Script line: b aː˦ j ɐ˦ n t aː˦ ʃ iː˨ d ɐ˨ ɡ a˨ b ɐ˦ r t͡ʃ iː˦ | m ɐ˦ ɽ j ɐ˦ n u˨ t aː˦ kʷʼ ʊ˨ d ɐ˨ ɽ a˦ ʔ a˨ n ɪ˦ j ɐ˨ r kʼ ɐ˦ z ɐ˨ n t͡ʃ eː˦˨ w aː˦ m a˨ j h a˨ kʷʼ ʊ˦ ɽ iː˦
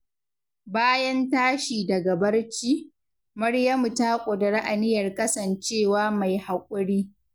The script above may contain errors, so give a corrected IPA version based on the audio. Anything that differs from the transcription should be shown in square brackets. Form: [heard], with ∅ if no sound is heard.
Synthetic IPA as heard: b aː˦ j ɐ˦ n t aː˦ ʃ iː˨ d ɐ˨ ɡ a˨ b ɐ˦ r t͡ʃ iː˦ | m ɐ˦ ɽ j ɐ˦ [m] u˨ t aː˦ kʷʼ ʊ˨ d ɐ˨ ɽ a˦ ʔ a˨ n ɪ˦ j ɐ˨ r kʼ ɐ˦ [s] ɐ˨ n t͡ʃ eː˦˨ w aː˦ m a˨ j h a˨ kʷʼ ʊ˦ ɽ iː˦

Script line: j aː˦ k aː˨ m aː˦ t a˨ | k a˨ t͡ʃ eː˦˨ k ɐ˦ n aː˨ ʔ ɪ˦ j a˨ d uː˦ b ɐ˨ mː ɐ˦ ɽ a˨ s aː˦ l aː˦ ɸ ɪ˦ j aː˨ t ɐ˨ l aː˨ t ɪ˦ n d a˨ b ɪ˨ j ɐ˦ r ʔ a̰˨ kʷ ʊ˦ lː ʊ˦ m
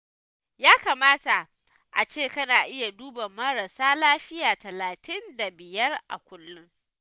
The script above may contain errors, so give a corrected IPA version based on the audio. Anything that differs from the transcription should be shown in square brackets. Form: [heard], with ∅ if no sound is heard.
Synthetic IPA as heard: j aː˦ k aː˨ m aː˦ t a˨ | [ʔ] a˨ t͡ʃ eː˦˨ k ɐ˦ n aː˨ ʔ ɪ˦ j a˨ d uː˦ b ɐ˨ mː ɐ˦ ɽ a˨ s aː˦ l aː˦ ɸ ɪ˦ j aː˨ t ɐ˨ l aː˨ t ɪ˦ n d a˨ b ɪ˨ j ɐ˦ r ʔ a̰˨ kʷ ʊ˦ lː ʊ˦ [ŋ]

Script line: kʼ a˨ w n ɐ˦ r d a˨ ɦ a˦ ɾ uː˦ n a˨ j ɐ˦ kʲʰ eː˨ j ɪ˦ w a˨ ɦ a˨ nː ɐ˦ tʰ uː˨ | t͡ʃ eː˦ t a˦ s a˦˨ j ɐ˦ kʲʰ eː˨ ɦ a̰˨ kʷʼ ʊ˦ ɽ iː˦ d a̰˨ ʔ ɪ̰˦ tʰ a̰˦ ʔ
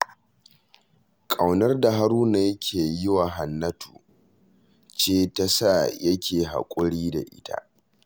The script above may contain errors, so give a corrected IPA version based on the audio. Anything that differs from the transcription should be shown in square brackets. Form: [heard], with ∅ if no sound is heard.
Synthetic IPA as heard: kʼ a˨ w n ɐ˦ r d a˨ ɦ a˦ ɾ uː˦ n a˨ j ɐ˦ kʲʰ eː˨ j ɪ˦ w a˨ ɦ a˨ nː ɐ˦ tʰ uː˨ | t͡ʃ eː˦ t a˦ s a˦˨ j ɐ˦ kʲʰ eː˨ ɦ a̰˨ kʷʼ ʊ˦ ɽ iː˦ d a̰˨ ʔ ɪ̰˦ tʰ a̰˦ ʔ

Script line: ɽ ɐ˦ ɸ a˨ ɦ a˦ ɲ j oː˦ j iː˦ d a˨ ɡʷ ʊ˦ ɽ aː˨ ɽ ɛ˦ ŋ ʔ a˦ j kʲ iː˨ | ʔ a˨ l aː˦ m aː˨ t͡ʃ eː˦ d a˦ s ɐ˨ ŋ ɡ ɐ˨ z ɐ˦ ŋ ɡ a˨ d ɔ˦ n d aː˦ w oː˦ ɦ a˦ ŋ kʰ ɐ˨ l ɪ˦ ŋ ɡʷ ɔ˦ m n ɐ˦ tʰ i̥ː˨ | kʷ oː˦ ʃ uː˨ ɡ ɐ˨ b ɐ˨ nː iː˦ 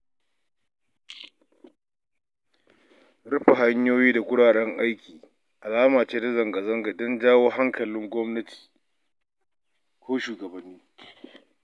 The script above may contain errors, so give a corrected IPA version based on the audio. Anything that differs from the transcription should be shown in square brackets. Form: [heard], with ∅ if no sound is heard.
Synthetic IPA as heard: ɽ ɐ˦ ɸ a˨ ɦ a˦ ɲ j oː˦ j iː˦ d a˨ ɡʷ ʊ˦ ɽ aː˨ ɽ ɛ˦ ŋ ʔ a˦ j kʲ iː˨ | ʔ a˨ l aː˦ m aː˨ t͡ʃ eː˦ d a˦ [z] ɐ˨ ŋ ɡ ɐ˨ z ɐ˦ ŋ ɡ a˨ d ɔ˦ n [d͡ʒ] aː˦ w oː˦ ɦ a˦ ŋ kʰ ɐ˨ l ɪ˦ ŋ ɡʷ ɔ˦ m n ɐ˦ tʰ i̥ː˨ | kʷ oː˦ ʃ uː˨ ɡ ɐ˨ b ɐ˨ nː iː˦

